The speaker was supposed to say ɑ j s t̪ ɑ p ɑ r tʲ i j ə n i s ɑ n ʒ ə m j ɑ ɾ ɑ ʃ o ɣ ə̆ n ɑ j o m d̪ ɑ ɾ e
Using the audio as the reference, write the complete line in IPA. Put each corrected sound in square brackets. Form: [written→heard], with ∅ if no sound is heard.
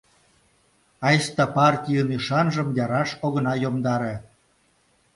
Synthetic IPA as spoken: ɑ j s t̪ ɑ p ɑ r tʲ i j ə n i [s→ʃ] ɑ n ʒ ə m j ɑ ɾ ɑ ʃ o ɣ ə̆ n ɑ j o m d̪ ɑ ɾ e